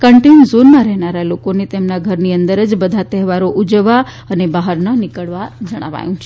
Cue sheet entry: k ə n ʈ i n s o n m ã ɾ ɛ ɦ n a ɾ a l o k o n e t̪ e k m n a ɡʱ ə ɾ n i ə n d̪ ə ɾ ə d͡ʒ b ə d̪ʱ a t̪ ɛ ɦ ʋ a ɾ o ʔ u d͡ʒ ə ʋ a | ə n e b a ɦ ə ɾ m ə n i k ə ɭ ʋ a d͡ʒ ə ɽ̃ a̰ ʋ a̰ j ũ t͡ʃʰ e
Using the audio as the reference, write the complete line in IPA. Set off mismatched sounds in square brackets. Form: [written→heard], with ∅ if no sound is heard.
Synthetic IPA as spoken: k ə [n→ɳ] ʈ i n [s→z] o n m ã ɾ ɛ ɦ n a ɾ a l o k o n e t̪ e [k→∅] m n a ɡʱ ə ɾ n i ə n d̪ ə ɾ ə d͡ʒ b ə d̪ʱ a t̪ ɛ ɦ ʋ a ɾ o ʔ u d͡ʒ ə ʋ a | ə n e b a ɦ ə ɾ [m→n] ə n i k ə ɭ ʋ a d͡ʒ ə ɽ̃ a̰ ʋ a̰ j ũ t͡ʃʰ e